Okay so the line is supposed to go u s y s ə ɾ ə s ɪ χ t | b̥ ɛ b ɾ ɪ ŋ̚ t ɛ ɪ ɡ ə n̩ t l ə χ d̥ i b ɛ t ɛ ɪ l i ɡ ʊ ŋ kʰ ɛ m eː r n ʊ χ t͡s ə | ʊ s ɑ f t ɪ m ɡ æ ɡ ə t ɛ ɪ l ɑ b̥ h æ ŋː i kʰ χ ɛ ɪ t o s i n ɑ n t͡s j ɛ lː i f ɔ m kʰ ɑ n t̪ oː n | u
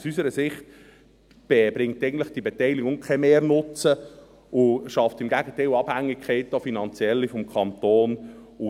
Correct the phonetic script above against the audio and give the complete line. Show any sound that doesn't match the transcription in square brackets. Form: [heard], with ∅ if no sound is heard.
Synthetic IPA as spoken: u s y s ə ɾ ə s ɪ χ t | b̥ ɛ b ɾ ɪ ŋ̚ t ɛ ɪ ɡ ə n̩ t l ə χ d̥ i b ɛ t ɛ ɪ l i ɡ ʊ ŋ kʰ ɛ m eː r n ʊ [∅] t͡s ə | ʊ [ʃ] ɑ f t ɪ m ɡ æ ɡ ə t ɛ ɪ l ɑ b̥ h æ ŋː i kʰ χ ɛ ɪ t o [f] i n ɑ n t͡s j ɛ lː i f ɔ m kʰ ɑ n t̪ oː n | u